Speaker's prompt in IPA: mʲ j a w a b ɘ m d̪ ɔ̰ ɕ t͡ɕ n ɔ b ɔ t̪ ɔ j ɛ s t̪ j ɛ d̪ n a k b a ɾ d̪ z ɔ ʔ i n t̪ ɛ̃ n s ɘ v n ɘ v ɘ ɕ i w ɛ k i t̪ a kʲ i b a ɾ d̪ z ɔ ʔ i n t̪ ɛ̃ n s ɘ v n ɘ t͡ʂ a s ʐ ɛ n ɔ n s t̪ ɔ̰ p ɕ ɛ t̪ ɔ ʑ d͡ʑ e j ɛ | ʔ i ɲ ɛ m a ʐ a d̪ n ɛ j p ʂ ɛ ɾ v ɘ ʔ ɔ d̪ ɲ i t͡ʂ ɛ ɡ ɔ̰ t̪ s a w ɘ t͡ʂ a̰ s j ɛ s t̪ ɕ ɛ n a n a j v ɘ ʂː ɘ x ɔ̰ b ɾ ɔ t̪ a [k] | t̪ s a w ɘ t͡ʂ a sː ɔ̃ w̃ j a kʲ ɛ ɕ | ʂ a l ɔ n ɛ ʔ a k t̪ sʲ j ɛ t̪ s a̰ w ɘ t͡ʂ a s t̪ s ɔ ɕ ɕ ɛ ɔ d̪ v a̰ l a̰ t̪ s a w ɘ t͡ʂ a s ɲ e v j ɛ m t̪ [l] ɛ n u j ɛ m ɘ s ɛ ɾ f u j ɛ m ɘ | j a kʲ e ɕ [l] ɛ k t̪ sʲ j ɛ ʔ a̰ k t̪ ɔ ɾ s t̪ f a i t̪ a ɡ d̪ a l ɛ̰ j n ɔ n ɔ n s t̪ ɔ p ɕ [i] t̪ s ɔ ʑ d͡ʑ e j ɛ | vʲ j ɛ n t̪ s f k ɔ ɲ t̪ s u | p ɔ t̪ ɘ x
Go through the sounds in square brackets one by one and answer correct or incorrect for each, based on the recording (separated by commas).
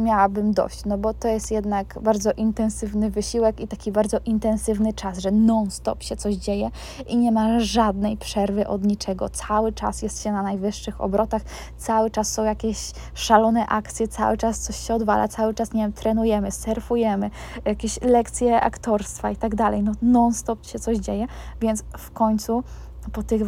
incorrect, incorrect, correct, incorrect